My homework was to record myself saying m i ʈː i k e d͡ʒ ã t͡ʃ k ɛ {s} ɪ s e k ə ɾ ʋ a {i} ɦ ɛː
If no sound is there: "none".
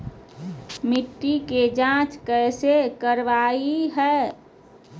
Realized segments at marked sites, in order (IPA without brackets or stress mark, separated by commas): none, i